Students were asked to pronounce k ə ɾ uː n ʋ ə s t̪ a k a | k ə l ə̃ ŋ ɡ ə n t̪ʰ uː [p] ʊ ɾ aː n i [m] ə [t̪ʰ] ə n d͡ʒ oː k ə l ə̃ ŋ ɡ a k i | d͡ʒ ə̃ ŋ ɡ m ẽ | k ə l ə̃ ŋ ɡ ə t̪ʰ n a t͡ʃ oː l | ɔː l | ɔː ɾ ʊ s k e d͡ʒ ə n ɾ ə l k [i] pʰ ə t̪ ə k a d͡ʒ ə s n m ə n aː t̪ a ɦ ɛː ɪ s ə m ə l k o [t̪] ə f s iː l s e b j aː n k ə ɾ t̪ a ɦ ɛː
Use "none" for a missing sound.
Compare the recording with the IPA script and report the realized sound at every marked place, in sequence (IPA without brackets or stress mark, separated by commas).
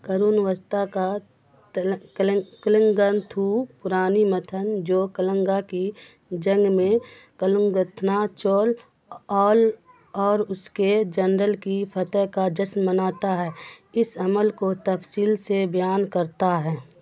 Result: p, m, t̪ʰ, i, t̪